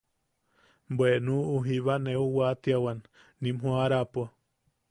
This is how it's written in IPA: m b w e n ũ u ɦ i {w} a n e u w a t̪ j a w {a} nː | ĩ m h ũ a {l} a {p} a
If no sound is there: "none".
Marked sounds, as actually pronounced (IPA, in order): β, a, ɾ, p

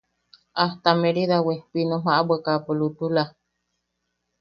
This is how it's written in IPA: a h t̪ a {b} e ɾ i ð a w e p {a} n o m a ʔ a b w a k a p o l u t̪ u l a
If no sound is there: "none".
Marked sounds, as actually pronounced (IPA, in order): m, i

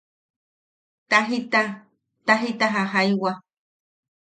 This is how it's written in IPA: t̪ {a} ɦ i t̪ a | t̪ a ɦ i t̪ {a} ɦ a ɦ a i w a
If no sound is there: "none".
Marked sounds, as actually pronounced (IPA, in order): a, a

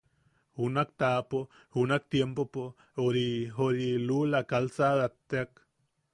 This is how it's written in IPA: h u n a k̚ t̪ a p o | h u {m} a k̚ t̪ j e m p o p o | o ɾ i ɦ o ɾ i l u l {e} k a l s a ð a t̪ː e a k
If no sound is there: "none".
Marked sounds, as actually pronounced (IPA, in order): n, a

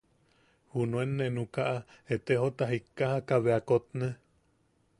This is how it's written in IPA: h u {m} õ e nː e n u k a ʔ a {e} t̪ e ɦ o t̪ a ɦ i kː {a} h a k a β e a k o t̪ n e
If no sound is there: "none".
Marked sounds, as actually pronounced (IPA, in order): n, e, a

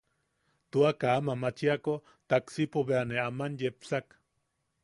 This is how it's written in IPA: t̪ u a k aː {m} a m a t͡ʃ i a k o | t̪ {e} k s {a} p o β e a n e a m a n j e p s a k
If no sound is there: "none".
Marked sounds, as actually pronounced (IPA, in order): m, a, i

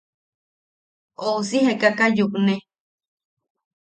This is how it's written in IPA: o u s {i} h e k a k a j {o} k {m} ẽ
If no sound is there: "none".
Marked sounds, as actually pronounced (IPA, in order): i, u, n

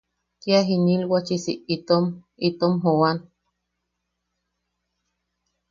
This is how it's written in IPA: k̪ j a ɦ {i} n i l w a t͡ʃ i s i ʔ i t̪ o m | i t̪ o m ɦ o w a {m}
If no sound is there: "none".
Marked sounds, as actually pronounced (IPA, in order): i, n

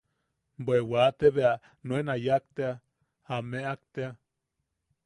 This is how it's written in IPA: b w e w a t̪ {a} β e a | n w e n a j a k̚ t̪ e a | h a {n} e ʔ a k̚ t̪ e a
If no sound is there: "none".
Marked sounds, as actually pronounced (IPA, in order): e, m

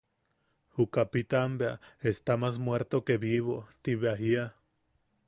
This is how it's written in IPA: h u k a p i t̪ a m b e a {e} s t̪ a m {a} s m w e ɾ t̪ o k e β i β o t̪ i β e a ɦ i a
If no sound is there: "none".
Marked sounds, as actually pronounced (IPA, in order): e, a

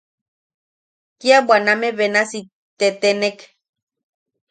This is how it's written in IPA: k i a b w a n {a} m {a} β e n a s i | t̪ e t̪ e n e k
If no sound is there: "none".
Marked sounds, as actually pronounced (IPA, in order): a, e

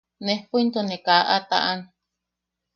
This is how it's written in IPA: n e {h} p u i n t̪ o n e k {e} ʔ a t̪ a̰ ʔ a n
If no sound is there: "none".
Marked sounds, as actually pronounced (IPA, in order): h, a

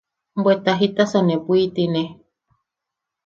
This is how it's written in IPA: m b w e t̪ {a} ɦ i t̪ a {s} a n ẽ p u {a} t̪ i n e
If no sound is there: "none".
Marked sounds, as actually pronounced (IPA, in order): a, s, i

